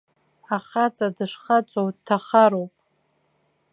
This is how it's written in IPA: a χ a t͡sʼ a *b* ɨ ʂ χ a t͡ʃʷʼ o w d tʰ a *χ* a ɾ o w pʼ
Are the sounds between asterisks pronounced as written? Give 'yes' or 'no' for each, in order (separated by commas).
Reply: no, yes